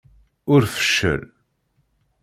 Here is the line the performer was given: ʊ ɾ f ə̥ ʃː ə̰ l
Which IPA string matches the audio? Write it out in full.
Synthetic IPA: ʊ ɾ f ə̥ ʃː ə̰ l